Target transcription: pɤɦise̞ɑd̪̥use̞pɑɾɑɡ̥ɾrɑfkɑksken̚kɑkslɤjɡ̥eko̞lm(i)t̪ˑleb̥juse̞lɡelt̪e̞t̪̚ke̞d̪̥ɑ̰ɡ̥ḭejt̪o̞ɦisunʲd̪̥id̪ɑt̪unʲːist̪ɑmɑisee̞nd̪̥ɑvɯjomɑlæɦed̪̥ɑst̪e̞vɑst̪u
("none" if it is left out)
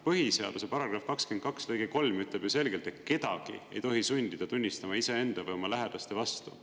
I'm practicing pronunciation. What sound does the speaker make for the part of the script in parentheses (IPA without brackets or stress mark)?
y